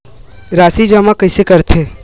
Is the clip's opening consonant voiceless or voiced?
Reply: voiced